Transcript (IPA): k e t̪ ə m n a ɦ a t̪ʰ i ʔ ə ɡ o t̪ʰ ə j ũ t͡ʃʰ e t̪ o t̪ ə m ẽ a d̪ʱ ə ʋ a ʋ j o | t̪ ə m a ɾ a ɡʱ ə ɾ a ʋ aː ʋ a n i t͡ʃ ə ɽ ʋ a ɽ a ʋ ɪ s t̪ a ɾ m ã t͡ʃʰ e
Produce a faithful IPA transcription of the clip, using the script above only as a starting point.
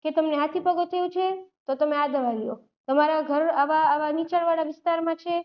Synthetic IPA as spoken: k e t̪ ə m n e ɦ a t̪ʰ i p ə ɡ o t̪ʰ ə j ũ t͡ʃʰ e t̪ o t̪ ə m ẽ a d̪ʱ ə ʋ a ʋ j o | t̪ ə m a ɾ a ɡʱ ə ɾ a ʋ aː ʋ a n i t͡ʃ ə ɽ ʋ a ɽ a ʋ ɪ s t̪ a ɾ m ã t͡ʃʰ e

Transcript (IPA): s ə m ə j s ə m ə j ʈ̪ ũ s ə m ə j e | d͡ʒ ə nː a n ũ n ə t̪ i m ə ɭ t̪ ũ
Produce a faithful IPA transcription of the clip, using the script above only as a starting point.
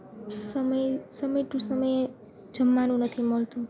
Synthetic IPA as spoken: s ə m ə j s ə m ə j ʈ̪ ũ s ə m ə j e | d͡ʒ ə mː a n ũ n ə t̪ʰ i m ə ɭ t̪ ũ

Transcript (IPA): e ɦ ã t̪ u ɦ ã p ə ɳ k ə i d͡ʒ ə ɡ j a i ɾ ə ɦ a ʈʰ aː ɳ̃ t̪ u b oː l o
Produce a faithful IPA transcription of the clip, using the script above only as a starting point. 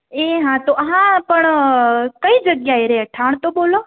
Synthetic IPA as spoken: e ɦ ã t̪ o ɦ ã p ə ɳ k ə i d͡ʒ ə ɡ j a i ɾ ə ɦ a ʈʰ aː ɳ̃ t̪ o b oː l o

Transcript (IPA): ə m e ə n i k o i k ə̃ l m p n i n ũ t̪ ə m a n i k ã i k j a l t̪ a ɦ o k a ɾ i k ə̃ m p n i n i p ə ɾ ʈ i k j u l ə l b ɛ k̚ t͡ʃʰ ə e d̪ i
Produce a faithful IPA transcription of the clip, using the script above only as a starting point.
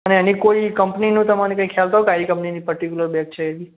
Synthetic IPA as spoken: ə n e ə n i k o i k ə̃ m p n i n ũ t̪ ə m a n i k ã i kʰ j a l t̪ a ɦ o k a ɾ i k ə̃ m p n i n i p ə ɾ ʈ i k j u l ə ɾ b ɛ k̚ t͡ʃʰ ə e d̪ i

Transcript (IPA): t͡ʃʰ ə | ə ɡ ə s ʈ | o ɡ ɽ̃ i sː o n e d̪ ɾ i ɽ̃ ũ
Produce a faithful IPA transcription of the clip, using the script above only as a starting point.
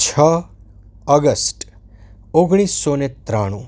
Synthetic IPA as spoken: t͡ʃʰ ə | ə ɡ ə s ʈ | o ɡ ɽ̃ i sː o n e t̪ ɾ a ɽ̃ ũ

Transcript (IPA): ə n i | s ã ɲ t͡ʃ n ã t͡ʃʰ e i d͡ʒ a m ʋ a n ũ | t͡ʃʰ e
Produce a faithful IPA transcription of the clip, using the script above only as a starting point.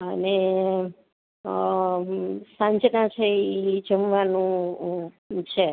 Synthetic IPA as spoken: ə n e | s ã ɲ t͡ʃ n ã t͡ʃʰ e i d͡ʒ ə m ʋ a n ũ | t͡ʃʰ e

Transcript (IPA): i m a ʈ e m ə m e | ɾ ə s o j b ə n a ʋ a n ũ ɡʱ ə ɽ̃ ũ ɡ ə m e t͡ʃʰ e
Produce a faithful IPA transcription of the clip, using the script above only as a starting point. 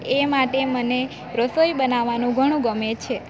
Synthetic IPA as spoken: e m a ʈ e m ə n e | ɾ ə s o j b ə n a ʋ a n ũ ɡʱ ə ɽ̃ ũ ɡ ə m e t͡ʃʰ e

